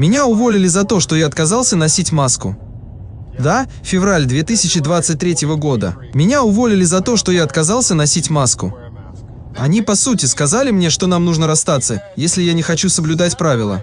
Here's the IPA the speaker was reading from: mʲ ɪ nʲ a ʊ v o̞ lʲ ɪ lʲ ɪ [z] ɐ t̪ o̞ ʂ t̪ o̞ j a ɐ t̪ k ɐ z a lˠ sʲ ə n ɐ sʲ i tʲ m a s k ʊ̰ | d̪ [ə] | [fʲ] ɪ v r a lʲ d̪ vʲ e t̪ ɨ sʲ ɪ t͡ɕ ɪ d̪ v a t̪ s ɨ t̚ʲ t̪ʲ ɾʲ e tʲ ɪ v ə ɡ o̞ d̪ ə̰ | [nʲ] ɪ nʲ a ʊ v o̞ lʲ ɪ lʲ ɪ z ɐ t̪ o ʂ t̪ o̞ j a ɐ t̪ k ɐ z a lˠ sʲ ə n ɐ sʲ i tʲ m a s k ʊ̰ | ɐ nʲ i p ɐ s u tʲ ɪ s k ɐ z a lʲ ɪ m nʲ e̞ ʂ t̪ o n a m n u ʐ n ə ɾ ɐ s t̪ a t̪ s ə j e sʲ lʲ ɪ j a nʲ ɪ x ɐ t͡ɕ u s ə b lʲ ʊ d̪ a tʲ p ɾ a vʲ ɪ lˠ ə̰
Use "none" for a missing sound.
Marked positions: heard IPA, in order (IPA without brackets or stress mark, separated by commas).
z, a, fʲ, mʲ